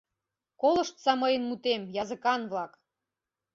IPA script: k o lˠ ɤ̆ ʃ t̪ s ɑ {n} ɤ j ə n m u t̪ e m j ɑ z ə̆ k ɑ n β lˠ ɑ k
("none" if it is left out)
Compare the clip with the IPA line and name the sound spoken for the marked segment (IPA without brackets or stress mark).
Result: m